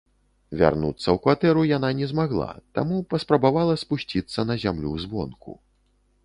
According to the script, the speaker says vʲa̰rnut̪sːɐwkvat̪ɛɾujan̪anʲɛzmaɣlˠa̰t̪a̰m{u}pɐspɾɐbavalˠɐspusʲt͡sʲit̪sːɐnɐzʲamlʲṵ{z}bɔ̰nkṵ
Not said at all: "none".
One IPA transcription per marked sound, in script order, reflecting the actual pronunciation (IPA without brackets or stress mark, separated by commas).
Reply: u, z